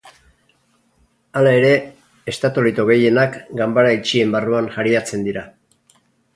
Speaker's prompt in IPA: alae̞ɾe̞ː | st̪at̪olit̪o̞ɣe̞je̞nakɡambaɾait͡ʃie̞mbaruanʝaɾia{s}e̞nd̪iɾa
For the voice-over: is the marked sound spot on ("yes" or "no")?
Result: no